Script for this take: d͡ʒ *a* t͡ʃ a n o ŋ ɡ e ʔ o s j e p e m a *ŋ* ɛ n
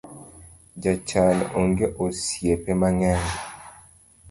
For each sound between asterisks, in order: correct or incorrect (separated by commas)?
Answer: correct, correct